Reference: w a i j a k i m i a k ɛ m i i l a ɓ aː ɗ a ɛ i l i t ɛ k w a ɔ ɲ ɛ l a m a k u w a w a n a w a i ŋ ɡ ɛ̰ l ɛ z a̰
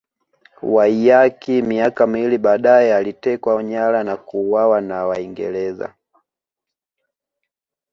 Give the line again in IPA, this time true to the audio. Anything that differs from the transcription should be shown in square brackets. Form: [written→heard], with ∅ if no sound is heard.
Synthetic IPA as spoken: w a i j a k i m i a k [ɛ→a] m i i l [a→i] ɓ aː ɗ a ɛ [i→a] l i t ɛ k w a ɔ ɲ [ɛ→a] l a [m→n] a k u w a w a n a w a i ŋ ɡ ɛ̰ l ɛ z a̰